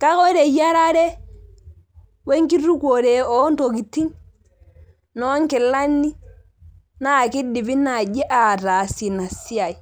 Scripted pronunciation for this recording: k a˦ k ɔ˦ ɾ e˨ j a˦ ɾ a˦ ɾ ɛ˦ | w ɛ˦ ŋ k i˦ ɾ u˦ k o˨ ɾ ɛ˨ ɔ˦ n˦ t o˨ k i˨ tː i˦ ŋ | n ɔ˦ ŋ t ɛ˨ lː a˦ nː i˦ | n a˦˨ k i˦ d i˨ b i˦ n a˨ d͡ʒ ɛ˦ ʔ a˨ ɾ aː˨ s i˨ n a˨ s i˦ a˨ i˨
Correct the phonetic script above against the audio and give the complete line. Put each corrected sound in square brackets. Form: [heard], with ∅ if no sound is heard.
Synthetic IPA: k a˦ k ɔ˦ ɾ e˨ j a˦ ɾ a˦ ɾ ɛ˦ | w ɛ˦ ŋ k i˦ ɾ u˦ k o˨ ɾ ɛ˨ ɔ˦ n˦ t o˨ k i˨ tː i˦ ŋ | n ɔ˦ ŋ [k] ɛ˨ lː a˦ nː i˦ | n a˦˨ k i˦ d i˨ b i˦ n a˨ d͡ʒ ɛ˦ ʔ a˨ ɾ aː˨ s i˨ n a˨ s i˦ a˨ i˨